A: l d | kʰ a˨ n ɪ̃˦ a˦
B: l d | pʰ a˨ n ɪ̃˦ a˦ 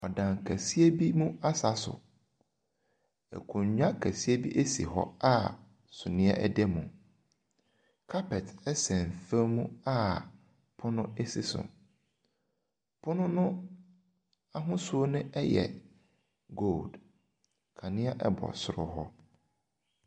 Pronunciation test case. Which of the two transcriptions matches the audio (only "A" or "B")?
A